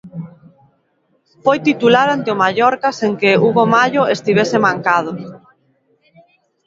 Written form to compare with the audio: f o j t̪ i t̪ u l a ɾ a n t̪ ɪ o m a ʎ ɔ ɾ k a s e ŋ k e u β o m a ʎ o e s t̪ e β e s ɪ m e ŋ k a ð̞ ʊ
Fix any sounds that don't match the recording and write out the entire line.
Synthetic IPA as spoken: f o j t̪ i t̪ u l a ɾ a n t̪ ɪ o m a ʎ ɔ ɾ k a s e ŋ k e u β o m a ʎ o e s t̪ i β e s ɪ m a ŋ k a ð̞ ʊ